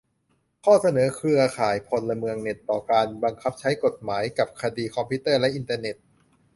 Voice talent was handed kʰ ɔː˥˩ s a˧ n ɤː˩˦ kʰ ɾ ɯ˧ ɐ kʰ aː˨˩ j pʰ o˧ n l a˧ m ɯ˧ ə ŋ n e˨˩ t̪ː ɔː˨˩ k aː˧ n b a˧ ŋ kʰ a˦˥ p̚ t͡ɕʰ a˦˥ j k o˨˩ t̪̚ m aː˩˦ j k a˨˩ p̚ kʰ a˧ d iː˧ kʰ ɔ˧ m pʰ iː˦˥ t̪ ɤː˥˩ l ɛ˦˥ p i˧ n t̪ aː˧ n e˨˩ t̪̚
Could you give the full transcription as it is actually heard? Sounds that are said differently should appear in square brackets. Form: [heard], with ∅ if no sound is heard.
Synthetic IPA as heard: kʰ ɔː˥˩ s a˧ n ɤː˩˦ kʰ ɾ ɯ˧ ɐ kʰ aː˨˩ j pʰ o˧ n l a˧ m ɯ˧ ə ŋ n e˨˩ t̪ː ɔː˨˩ k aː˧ n b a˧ ŋ kʰ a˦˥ p̚ t͡ɕʰ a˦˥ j k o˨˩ t̪̚ m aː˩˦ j k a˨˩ p̚ kʰ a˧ d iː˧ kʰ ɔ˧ m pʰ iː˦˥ t̪ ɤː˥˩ l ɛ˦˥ [ʔ] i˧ n t̪ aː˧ n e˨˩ t̪̚